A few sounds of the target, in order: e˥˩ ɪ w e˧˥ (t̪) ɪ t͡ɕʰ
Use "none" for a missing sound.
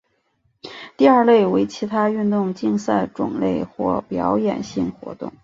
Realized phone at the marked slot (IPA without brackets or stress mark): none